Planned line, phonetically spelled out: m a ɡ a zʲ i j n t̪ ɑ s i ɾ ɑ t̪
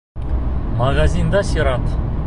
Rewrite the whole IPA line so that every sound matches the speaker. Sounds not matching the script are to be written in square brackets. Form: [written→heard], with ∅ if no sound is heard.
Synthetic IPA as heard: m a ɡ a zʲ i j n [t̪→d̪] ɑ s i ɾ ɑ t̪